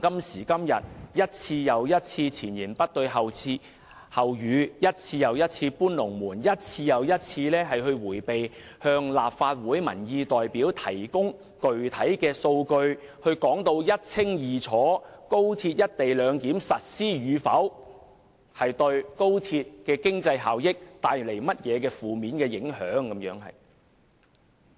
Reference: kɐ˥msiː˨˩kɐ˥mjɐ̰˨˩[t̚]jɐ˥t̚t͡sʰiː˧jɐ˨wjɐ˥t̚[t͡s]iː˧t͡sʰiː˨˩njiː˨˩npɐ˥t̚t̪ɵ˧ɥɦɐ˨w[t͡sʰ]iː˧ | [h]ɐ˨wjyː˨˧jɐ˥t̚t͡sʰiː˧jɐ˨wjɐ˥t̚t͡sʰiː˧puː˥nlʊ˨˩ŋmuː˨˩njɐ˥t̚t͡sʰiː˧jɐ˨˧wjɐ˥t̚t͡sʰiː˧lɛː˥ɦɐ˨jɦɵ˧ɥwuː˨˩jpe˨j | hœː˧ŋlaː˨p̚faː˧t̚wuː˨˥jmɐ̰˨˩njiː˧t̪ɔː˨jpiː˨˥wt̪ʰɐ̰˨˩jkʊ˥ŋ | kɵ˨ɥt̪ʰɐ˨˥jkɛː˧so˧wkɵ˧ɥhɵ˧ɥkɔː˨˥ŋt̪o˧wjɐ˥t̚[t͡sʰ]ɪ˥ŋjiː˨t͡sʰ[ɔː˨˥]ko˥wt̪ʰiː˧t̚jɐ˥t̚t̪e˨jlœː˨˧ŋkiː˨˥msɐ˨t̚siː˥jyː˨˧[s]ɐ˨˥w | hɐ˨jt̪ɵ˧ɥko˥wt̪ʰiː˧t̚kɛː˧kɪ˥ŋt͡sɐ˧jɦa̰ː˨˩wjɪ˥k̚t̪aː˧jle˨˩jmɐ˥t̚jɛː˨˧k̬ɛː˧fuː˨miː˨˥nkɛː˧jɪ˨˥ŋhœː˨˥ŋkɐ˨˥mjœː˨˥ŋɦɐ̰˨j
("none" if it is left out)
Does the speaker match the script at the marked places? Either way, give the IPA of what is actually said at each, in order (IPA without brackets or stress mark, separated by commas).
t̚, t͡sʰ, t͡sʰ, h, t͡sʰ, ɔː˨˥, f